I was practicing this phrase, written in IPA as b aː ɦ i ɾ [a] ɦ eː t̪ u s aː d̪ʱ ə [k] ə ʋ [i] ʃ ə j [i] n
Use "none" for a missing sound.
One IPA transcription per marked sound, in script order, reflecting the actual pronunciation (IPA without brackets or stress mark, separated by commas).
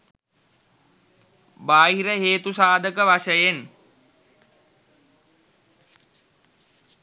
ə, k, a, e